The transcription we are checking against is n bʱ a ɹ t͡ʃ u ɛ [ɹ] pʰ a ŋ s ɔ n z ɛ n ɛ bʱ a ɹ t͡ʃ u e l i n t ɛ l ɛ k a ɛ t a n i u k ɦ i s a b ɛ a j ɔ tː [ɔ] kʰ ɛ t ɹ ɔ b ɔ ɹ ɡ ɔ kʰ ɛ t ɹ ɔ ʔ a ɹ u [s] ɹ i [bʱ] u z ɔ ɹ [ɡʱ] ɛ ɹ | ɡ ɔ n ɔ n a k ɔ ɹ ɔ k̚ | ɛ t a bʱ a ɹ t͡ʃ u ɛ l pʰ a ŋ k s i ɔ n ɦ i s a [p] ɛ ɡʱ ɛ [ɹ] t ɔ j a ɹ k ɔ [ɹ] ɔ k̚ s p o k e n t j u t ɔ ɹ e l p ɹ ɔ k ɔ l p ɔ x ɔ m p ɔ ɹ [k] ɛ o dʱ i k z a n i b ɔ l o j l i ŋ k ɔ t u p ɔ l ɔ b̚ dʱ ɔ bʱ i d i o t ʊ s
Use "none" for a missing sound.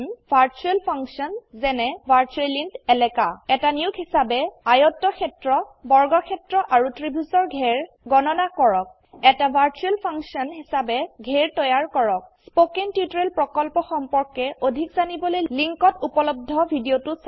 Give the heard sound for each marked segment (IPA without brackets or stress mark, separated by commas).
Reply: l, ɔ, t, bʱ, ɡʱ, b, ɹ, ɹ, k